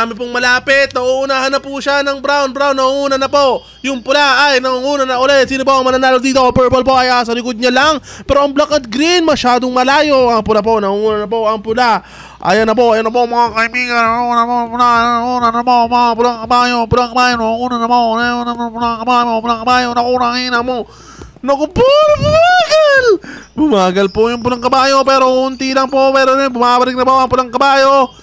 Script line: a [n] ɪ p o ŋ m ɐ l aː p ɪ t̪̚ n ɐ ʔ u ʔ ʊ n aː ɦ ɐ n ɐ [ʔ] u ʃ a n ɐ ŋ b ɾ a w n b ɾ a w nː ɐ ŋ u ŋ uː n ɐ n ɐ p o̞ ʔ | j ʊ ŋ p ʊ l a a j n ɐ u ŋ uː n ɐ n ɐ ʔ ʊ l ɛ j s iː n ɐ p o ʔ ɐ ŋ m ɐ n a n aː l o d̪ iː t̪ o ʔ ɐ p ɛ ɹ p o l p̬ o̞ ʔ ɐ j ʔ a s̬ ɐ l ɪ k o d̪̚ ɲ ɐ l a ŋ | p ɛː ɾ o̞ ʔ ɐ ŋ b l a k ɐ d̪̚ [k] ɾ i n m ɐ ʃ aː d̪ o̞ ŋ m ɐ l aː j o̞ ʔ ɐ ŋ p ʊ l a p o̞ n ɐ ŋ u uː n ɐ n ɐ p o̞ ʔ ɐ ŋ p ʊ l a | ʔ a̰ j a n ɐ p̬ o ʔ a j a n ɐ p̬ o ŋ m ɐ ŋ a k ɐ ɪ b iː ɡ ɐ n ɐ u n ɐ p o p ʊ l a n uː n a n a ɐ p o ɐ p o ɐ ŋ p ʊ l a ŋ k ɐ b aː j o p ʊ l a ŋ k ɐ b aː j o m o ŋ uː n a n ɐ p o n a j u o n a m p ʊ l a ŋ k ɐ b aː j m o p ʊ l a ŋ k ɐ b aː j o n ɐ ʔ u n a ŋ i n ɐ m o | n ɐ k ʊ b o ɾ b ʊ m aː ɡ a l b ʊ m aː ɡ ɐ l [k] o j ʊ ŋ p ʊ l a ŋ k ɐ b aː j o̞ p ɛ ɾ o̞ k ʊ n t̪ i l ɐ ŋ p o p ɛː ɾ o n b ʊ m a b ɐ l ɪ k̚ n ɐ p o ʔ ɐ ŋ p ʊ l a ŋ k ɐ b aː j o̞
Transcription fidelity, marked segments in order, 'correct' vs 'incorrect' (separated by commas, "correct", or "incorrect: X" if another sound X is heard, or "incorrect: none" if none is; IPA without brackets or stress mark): incorrect: m, incorrect: p, incorrect: ɡ, incorrect: p